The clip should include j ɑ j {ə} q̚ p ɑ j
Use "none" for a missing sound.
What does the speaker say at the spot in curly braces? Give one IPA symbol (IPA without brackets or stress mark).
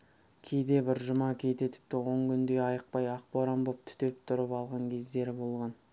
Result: ə